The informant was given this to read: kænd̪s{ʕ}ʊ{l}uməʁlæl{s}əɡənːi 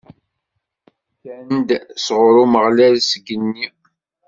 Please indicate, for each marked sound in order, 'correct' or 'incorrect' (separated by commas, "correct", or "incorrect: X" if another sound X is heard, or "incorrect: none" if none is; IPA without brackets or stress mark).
incorrect: ʁ, incorrect: ɾ, correct